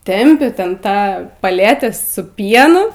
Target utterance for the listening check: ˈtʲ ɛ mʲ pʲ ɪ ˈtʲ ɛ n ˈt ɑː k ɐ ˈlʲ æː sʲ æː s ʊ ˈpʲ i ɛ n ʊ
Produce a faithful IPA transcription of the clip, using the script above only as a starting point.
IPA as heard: ˈtʲ ɛ mʲ pʲ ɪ ˈtʲ ɛ n ˈt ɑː p ɐ ˈlʲ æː tʲ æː s ʊ ˈpʲ i ɛ n ʊ